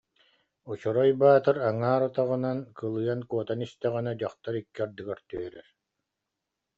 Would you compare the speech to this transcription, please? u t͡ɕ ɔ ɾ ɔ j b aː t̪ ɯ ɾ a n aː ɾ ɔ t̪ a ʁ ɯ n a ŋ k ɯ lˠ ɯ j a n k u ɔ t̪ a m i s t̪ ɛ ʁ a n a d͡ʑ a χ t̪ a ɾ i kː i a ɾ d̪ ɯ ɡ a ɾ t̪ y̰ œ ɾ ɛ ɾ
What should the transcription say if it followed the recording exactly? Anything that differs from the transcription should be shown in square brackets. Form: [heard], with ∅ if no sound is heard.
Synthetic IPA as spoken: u t͡ɕ ɔ ɾ ɔ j b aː t̪ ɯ ɾ a [ŋ] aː ɾ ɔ t̪ a ʁ ɯ n a [n] k ɯ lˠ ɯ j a n k u ɔ t̪ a [n] i s t̪ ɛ ʁ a n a d͡ʑ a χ t̪ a ɾ i kː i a ɾ d̪ ɯ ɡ a ɾ t̪ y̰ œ ɾ ɛ ɾ